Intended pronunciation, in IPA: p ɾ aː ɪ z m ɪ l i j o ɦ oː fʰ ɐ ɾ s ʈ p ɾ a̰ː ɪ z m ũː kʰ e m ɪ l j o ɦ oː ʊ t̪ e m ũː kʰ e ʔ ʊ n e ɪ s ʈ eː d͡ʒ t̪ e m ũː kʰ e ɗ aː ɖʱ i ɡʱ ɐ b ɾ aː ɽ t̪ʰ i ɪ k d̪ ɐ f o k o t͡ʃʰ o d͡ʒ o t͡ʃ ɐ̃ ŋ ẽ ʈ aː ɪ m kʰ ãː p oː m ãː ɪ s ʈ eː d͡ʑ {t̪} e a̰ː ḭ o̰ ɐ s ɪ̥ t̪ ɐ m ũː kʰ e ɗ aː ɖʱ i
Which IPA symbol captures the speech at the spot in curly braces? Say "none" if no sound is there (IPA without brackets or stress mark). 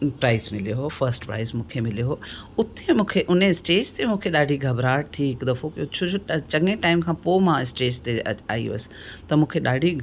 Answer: t̪